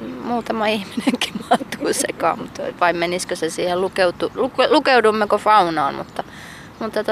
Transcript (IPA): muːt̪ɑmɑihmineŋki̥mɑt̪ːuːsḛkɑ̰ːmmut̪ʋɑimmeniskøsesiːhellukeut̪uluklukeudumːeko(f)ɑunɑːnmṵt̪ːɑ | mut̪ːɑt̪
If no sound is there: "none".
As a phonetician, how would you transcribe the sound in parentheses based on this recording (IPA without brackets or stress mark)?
f